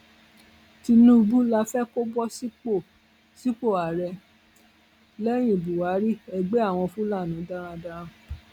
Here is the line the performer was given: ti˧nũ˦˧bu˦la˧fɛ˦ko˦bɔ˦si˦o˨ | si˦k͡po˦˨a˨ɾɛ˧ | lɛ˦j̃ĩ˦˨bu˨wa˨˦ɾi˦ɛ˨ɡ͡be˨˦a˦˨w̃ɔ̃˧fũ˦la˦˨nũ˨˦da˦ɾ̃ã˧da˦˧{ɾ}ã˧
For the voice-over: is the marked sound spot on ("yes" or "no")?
yes